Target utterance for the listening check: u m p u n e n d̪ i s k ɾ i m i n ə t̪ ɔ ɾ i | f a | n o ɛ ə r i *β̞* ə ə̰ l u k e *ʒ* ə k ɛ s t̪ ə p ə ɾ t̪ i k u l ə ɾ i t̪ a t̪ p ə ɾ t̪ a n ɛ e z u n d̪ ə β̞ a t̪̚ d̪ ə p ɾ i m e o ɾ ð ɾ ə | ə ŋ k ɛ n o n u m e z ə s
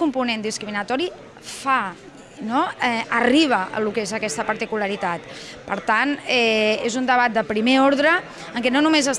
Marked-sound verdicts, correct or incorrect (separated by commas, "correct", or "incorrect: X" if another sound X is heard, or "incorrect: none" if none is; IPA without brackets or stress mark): correct, incorrect: z